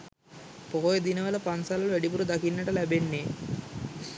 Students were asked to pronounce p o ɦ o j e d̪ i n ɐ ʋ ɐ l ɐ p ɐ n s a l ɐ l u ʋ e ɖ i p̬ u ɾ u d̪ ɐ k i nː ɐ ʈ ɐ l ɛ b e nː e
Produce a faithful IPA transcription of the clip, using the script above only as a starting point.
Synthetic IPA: p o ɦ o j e d̪ i n ɐ ʋ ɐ l ɐ p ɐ n s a l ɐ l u ʋ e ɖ i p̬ u ɾ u d̪ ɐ k i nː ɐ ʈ ɐ l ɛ b e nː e